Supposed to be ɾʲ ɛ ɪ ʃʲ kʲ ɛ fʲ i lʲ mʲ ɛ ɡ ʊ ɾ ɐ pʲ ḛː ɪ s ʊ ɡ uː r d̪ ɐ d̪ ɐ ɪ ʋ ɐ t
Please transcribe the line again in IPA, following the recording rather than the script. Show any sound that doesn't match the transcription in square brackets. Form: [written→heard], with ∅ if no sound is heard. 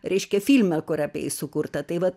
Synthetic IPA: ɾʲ ɛ ɪ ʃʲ kʲ ɛ fʲ i lʲ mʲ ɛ [ɡ→k] ʊ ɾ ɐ pʲ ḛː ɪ s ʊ [ɡ→k] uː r [d̪→t̪] ɐ [d̪→t̪] ɐ ɪ ʋ ɐ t